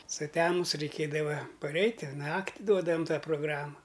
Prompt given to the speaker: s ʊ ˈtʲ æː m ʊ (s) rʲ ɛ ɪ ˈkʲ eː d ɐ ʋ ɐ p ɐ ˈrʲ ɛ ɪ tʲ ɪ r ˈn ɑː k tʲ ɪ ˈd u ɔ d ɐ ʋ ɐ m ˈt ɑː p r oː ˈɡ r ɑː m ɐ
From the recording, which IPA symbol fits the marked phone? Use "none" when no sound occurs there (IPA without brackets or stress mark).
s